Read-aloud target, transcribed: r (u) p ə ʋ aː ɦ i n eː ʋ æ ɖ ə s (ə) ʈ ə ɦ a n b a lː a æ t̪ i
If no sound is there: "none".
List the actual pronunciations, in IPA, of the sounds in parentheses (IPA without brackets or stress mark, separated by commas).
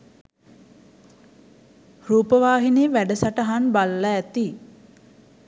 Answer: uː, a